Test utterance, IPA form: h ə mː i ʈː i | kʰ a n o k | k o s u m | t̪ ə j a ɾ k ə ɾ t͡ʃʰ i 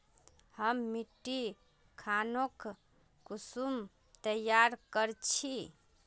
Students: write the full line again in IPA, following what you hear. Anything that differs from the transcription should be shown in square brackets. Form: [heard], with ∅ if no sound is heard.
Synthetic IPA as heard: h ə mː i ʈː i | kʰ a n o k | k [u] s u m | t̪ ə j a ɾ k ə ɾ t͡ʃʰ i